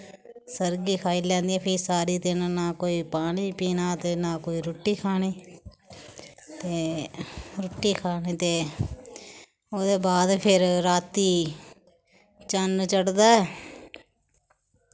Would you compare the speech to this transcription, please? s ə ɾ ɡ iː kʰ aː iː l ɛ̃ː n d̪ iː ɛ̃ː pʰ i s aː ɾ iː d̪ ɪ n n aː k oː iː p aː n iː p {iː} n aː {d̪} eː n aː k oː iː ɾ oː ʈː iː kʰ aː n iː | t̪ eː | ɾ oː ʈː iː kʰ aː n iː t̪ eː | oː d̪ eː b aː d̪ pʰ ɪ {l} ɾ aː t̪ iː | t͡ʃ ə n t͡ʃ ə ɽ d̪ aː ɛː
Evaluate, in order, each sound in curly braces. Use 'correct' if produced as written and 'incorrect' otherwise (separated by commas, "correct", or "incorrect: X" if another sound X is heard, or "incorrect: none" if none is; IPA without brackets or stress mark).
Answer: correct, incorrect: t̪, incorrect: ɾ